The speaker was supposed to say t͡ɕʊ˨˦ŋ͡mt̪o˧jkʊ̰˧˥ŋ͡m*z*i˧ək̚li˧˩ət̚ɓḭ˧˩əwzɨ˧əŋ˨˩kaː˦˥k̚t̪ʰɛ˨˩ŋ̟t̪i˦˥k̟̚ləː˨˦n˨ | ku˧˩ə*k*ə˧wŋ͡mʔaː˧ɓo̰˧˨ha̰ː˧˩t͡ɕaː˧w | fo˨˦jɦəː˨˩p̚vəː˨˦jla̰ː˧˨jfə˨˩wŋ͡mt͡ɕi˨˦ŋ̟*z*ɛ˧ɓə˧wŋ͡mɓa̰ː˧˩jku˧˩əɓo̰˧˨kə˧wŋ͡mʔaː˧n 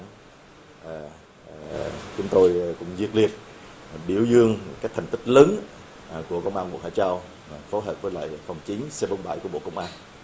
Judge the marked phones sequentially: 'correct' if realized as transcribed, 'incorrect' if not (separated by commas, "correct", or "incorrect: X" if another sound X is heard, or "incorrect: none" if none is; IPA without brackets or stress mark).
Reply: correct, correct, incorrect: s